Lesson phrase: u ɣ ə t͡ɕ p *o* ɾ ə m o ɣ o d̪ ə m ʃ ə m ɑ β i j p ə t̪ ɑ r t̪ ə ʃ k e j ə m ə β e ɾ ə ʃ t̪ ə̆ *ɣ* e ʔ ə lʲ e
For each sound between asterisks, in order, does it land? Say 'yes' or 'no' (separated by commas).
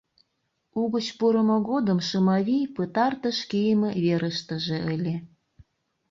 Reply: no, no